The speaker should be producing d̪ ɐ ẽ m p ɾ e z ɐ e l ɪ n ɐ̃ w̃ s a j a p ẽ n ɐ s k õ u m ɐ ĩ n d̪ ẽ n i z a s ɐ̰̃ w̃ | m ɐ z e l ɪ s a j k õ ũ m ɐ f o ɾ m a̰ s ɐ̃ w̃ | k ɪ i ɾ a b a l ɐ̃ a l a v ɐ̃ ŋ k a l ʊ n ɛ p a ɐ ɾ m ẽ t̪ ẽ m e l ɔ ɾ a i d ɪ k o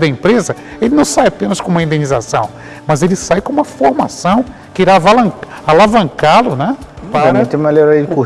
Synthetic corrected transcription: d̪ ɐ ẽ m p ɾ e z ɐ e l ɪ n ɐ̃ w̃ s a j a p ẽ n ɐ s k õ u m ɐ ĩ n d̪ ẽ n i z a s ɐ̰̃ w̃ | m ɐ z e l ɪ s a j k õ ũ m ɐ f o ɾ m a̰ s ɐ̃ w̃ | k ɪ i ɾ a v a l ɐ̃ a l a v ɐ̃ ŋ k a l ʊ n ɛ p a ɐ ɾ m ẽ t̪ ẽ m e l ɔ ɾ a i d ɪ k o

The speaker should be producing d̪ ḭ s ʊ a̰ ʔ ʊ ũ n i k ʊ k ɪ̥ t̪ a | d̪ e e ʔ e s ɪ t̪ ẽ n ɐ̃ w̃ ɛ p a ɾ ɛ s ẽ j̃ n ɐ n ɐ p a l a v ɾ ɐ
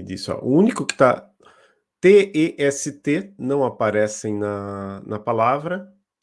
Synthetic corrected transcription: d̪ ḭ s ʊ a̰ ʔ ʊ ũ n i k ʊ k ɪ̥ t̪ a | t̪ e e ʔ ɛ s ɪ t̪ e n ɐ̃ w̃ a p a ɾ ɛ s ẽ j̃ n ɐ n ɐ p a l a v ɾ ɐ

